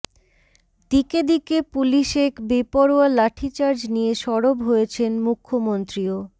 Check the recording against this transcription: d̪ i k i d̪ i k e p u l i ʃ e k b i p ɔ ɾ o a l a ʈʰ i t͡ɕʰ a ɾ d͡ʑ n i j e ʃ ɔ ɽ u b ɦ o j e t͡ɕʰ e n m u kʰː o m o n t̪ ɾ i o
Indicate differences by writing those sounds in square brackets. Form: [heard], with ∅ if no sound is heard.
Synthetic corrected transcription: d̪ i k [e] d̪ i k e p u l i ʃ e k b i p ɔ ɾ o a l a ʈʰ i [t͡ɕ] a ɾ d͡ʑ n i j e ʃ ɔ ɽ [o] b ɦ o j e t͡ɕʰ e n m u kʰː o m o n t̪ ɾ i o